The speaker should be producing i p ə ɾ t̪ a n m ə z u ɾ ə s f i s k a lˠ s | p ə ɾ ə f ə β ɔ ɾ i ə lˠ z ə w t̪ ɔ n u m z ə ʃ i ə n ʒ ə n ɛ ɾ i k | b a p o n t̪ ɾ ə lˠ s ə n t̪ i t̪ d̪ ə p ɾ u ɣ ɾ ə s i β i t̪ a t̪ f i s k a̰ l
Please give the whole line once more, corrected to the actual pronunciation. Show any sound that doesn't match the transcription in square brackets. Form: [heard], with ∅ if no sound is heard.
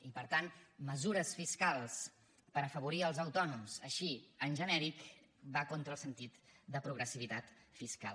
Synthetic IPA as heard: i p ə ɾ t̪ a n m ə z u ɾ ə s f i s k a lˠ s | p ə ɾ ə f ə β [u] ɾ i ə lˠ z ə w t̪ ɔ n u m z ə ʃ i ə n ʒ ə n ɛ ɾ i k | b a [k] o n t̪ ɾ ə lˠ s ə n t̪ i t̪ d̪ ə p ɾ u ɣ ɾ ə s i β i t̪ a t̪ f i s k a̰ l